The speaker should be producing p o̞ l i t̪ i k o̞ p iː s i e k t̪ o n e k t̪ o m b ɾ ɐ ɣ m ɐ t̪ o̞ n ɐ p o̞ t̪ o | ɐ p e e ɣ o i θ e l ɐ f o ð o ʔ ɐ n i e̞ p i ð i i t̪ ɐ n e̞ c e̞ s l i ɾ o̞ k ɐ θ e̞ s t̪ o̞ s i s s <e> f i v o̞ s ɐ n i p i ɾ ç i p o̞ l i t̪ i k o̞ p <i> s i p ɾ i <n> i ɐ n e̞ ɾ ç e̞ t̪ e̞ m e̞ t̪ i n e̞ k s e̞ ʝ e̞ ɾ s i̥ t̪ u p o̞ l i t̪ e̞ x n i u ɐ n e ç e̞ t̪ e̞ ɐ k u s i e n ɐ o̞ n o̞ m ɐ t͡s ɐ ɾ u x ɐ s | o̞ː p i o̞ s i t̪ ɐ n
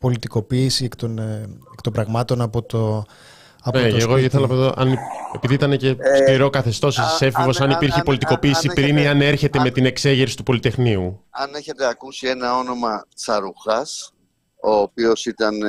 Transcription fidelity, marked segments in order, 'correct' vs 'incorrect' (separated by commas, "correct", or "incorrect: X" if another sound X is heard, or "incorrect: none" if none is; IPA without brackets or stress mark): correct, incorrect: iː, correct